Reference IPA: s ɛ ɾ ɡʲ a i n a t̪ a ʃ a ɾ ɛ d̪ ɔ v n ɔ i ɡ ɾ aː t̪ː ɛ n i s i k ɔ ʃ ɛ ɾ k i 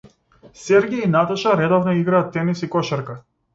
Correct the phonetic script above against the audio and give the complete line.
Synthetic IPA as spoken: s ɛ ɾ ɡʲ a i n a t̪ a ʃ a ɾ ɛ d̪ ɔ v n ɔ i ɡ ɾ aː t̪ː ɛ n i s i k ɔ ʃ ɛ ɾ k a